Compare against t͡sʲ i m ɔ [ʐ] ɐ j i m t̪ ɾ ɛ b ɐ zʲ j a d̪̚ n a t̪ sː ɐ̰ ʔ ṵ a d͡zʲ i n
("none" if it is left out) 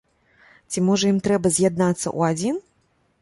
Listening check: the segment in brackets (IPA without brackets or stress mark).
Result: ʐ